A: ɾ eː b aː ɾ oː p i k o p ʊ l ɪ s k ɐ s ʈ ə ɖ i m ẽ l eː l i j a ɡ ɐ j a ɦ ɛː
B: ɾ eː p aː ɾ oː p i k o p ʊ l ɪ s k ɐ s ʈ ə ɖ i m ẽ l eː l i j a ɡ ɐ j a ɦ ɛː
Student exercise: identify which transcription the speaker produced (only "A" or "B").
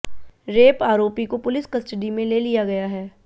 B